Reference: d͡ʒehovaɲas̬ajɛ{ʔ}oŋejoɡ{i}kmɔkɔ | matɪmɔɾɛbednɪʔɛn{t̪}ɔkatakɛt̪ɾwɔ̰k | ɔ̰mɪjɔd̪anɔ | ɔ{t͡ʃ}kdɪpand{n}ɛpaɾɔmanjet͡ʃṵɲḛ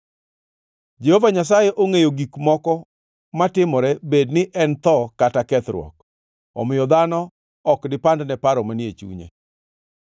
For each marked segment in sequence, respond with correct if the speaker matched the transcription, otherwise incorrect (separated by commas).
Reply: correct, correct, correct, incorrect, correct